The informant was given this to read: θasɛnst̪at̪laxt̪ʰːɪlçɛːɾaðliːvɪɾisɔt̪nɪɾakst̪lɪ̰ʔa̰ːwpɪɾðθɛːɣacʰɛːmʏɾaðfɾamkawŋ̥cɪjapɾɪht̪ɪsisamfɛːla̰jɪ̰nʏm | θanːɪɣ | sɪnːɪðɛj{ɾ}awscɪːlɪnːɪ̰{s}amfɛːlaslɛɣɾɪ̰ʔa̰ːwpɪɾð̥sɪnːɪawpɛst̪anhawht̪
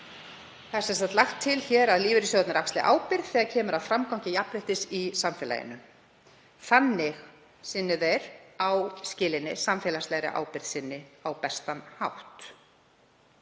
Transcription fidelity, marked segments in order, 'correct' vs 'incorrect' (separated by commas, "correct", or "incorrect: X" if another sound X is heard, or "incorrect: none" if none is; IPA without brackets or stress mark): correct, correct